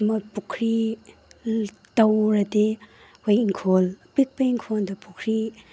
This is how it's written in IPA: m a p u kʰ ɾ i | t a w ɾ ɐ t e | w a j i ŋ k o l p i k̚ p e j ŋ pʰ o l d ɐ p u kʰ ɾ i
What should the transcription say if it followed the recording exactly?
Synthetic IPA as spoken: m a p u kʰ ɾ i | t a w ɾ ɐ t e | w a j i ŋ kʰ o l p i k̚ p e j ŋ kʰ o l d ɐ p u kʰ ɾ i